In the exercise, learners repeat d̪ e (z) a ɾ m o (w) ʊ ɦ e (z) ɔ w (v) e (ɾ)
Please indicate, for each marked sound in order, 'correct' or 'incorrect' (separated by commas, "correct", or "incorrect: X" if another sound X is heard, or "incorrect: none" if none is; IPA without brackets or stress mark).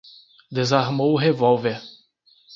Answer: correct, correct, incorrect: v, correct, correct